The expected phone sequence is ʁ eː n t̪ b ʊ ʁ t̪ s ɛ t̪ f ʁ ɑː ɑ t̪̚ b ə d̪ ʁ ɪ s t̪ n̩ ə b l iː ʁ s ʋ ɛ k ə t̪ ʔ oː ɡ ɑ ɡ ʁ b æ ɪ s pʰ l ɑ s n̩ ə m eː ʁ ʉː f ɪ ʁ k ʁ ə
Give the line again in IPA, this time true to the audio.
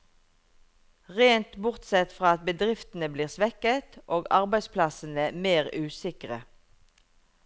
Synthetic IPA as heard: ʁ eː n t̪ b ʊ ʁ t̪ s ɛ t̪ f ʁ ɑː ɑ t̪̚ b ə d̪ ʁ ɪ f t̪ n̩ ə b l iː ʁ s ʋ ɛ k ə t̪ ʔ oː ɡ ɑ ʁ b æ ɪ s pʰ l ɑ s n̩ ə m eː ʁ ʉː s ɪ k ʁ ə